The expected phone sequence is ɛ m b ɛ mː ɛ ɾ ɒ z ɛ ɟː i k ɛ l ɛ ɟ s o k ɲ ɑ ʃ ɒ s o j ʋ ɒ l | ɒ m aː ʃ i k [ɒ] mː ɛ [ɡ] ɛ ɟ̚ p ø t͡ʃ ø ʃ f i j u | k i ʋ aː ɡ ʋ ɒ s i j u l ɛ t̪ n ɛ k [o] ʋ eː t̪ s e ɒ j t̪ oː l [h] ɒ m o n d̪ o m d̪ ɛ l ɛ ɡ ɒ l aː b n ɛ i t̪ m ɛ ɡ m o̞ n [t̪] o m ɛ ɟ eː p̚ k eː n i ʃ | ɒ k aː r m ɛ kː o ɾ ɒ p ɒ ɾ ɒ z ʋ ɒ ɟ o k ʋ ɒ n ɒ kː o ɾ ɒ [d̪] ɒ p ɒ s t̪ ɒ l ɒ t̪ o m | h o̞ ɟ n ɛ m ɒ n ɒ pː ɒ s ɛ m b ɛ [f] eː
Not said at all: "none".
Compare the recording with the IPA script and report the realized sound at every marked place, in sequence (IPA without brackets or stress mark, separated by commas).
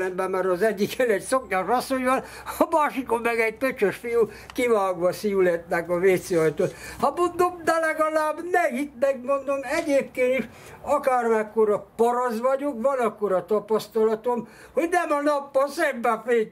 o, ɡ, ɒ, h, d̪, t̪, f